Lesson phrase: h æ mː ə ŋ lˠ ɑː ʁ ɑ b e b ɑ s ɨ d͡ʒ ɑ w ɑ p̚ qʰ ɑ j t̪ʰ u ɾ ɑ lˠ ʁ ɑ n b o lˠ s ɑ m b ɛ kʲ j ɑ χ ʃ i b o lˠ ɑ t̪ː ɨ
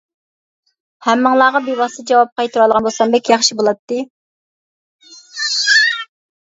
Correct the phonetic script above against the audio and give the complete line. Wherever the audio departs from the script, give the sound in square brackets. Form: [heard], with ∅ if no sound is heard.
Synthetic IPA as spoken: h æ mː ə ŋ lˠ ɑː ʁ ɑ b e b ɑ s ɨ d͡ʒ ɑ w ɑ p̚ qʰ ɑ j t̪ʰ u ɾ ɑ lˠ ʁ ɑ n b o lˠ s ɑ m b ɛ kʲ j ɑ χ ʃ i b o lˠ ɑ t̪ː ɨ